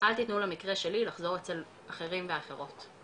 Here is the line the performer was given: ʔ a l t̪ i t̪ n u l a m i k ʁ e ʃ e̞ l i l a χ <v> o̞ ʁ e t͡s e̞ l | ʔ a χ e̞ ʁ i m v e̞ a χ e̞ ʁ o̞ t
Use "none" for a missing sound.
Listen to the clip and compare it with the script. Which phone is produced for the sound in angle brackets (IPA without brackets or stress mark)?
z